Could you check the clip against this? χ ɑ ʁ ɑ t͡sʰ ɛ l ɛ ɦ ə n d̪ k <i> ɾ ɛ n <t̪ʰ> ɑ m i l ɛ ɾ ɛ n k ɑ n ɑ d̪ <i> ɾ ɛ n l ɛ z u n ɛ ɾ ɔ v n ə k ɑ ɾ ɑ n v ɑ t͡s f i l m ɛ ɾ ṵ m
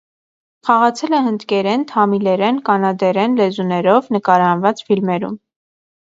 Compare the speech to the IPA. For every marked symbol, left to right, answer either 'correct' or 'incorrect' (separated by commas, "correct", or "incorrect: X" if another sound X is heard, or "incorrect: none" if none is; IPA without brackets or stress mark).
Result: incorrect: ɛ, correct, incorrect: ɛ